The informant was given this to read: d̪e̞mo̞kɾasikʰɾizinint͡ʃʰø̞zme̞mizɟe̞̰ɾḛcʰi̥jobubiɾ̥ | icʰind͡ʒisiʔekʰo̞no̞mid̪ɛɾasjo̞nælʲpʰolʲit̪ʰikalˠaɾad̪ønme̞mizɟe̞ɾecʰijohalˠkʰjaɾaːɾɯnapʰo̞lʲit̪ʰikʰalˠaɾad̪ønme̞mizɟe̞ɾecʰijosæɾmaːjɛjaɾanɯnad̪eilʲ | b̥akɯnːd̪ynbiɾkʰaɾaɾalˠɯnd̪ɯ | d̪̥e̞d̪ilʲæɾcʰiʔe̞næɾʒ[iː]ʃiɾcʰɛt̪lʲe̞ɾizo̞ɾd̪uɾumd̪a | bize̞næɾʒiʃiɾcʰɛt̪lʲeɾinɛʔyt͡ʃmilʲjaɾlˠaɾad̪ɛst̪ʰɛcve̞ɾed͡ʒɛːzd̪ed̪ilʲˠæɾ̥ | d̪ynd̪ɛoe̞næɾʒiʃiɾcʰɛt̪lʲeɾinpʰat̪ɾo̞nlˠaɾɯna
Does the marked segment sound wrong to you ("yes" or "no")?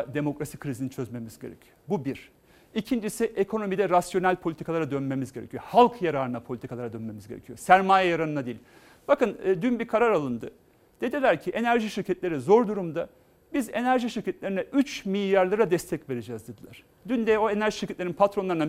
yes